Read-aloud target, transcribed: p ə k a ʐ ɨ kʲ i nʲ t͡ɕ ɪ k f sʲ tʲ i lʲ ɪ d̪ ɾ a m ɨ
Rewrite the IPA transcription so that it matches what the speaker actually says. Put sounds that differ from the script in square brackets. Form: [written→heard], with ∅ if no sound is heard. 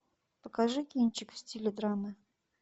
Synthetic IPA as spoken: p ə k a ʐ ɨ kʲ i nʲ t͡ɕ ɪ k f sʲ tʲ i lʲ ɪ d̪ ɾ a m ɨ